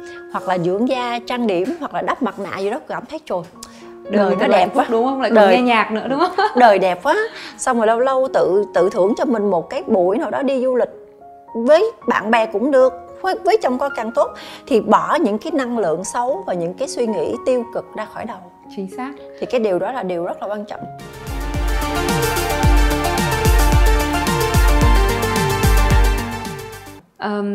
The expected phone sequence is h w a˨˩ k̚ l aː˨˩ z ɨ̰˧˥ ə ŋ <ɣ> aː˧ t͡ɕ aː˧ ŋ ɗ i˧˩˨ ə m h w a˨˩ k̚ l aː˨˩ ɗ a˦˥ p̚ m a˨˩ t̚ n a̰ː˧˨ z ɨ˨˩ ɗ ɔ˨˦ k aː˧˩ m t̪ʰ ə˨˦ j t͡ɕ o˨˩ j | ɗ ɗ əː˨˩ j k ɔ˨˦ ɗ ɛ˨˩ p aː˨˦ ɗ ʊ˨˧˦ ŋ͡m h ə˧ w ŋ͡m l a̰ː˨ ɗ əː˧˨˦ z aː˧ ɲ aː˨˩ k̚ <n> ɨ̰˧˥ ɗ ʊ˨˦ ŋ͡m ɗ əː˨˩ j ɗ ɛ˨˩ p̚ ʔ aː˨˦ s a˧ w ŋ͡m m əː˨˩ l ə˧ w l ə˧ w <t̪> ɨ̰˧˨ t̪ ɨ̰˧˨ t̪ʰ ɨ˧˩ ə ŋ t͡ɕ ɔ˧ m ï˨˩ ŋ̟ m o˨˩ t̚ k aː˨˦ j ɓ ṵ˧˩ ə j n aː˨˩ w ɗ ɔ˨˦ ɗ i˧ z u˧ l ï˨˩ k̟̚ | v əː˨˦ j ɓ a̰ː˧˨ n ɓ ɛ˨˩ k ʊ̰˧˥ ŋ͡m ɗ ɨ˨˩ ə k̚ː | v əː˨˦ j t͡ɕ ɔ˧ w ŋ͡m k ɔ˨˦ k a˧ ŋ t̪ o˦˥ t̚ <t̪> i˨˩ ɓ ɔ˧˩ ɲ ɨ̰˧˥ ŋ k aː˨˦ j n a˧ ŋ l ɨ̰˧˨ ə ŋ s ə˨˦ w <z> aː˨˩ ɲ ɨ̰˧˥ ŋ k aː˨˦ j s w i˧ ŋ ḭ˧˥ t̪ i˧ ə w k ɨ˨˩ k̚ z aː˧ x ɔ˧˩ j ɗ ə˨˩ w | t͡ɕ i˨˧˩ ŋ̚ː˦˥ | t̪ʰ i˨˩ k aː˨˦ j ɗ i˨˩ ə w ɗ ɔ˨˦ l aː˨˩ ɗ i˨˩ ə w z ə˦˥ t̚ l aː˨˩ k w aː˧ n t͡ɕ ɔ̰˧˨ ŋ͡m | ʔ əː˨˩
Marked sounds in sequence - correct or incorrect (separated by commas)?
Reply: incorrect, correct, correct, incorrect, incorrect